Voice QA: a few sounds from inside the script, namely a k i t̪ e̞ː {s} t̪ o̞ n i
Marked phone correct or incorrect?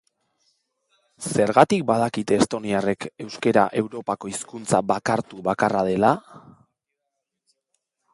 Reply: correct